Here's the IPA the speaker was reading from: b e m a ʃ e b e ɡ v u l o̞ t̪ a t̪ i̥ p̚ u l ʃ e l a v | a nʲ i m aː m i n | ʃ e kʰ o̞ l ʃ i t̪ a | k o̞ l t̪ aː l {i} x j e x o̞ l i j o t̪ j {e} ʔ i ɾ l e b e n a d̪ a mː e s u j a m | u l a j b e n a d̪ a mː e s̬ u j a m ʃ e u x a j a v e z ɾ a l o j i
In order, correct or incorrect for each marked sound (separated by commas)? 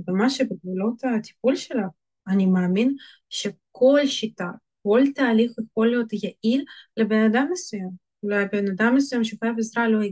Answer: correct, incorrect